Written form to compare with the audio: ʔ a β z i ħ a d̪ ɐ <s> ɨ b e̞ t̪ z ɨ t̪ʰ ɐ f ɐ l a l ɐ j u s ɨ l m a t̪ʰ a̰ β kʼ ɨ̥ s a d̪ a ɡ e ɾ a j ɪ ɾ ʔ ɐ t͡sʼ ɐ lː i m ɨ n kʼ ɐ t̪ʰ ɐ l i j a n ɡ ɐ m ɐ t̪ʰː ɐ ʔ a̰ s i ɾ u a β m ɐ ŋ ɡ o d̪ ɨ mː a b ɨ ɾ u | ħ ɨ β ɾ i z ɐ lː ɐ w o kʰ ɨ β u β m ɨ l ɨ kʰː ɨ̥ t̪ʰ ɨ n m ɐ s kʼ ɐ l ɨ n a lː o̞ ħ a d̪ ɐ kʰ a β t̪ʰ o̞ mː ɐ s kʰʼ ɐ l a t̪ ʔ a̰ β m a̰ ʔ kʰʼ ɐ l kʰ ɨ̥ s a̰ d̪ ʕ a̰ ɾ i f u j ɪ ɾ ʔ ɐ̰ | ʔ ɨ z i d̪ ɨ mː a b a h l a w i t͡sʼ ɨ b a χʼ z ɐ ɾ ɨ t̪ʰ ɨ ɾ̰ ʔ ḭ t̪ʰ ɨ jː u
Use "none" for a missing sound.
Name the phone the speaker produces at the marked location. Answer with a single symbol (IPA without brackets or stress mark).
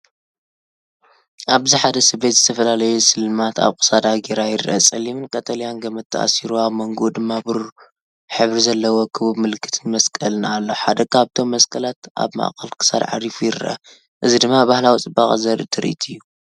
s